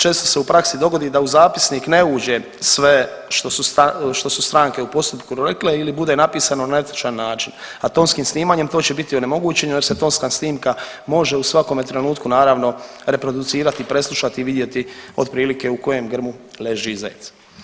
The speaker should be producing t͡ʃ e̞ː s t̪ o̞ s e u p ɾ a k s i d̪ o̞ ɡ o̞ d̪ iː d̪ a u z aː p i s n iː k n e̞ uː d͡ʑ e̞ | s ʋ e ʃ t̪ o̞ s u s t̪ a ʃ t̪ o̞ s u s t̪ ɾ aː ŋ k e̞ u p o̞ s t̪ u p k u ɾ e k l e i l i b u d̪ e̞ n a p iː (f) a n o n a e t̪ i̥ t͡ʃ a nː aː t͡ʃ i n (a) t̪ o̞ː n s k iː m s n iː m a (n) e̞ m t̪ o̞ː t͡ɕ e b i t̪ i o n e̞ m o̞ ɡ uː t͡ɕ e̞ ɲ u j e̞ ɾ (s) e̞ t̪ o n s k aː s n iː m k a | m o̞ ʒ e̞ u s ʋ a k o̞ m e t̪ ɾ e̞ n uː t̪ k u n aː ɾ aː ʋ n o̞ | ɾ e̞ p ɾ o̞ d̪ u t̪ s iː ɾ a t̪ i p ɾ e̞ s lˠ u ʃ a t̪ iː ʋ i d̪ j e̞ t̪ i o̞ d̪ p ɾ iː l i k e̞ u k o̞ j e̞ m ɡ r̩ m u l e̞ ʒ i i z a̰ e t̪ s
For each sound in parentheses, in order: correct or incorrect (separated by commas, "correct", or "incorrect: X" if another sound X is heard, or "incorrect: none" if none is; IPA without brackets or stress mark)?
incorrect: s, correct, incorrect: ɲ, correct